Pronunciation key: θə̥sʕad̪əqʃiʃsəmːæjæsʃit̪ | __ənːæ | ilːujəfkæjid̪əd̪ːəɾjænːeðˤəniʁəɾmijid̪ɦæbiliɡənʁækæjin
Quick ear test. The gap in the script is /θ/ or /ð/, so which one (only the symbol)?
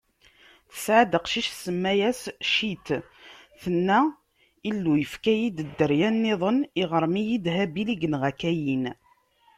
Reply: θ